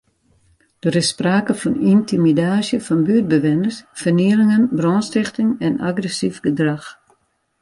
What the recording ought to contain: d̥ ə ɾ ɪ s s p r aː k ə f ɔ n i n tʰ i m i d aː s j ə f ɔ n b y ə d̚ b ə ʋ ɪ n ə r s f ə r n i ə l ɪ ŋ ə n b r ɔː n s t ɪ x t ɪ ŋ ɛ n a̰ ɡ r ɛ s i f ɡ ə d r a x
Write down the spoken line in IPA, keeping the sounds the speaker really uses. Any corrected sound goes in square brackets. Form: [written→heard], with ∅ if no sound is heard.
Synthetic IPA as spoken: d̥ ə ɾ ɪ s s p r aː k ə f ɔ n i n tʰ i m i d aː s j ə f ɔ n b y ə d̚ b ə ʋ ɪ n ə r s f ə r n i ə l ɪ ŋ ə n b r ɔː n s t ɪ x t ɪ ŋ ɛ n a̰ ɡ r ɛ s i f ɡ ə d r a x

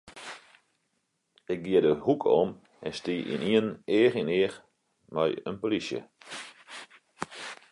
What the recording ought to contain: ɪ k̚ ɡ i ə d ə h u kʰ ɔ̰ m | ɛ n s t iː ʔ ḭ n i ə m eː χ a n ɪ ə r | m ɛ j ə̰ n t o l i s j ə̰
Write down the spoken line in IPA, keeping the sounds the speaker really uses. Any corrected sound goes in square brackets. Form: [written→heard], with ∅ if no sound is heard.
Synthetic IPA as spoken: ɪ k̚ ɡ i ə d ə h u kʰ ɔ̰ m | ɛ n s t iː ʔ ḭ n i ə [m→n] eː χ [a→i] n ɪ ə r | m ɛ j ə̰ n [t→p] o l i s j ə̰

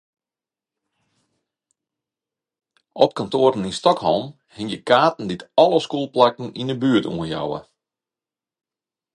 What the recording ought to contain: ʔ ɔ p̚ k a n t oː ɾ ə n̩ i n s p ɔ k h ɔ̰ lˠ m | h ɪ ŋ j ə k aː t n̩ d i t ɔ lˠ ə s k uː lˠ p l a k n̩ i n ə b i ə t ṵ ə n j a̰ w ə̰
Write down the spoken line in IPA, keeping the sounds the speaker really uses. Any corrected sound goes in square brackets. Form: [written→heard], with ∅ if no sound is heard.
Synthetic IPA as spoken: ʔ ɔ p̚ k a n t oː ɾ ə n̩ i n s [p→t] ɔ k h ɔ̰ lˠ m | h ɪ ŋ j ə k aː t n̩ d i t ɔ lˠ ə s k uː lˠ p l a k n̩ i n ə b [i→y] ə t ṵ ə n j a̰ w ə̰

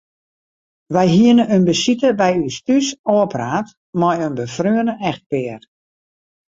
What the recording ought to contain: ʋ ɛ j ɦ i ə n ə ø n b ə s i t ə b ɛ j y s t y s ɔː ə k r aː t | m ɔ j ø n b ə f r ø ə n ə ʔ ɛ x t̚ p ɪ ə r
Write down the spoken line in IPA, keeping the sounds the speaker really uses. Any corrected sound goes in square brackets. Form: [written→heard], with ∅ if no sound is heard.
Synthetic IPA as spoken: ʋ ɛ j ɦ i ə n ə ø n b ə s i t ə b ɛ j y s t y s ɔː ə [k→p] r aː t | m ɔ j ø n b ə f r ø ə n ə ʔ ɛ x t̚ p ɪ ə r

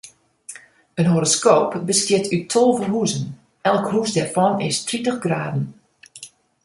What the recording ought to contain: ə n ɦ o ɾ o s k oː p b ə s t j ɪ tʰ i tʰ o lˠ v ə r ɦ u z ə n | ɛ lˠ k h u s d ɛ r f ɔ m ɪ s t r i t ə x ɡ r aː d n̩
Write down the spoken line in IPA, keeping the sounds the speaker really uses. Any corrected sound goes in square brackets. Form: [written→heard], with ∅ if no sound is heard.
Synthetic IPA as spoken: ə n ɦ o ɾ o s k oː p b ə s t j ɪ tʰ [i→y] tʰ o lˠ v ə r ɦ u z ə n | ɛ lˠ k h u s d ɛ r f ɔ [m→n] ɪ s t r i t ə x ɡ r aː d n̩

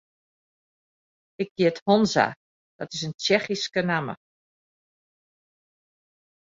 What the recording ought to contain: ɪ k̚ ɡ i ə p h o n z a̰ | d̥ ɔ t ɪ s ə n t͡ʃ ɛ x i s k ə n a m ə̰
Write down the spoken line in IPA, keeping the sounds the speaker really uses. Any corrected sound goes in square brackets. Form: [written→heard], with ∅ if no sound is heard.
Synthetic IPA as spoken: ɪ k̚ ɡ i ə [p→t] h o n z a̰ | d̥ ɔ t ɪ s ə n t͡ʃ ɛ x i s k ə n a m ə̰

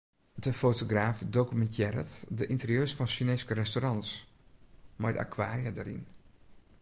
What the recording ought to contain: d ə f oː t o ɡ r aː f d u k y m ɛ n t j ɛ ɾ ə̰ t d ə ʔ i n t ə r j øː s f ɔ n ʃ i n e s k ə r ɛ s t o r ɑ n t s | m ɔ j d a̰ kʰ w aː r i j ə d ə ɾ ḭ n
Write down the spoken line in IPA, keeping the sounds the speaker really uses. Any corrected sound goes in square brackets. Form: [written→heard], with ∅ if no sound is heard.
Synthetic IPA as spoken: d ə f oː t o ɡ r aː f d [u→o] k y m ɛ n t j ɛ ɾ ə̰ t d ə ʔ i n t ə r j øː s f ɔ n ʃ i n e s k ə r ɛ s t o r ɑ n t s | m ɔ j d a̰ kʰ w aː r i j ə d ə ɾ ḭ n

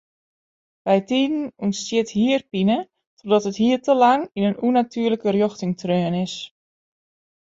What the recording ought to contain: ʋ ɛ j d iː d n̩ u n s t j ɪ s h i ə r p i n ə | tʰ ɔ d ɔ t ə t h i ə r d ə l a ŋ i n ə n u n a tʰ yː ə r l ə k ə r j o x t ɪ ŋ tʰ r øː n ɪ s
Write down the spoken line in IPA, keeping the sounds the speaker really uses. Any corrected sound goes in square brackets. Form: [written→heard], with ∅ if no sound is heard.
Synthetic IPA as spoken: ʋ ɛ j [d→t] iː d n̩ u n s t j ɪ [s→t] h i ə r p i n ə | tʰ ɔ d ɔ t ə t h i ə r [d→t] ə l a ŋ i n ə n u n a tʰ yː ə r l ə k ə r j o x t ɪ ŋ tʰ r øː n ɪ s

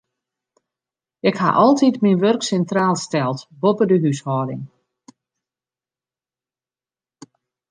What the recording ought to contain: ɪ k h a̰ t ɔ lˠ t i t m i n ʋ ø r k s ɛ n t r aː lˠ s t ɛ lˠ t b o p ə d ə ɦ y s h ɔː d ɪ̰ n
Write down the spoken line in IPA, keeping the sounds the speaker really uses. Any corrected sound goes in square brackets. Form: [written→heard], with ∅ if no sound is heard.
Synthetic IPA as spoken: ɪ k h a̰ [t→ʔ] ɔ lˠ t i t m i n ʋ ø r k s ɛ n t r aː lˠ s t ɛ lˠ t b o p ə d ə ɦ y s h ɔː d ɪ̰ [n→ŋ]

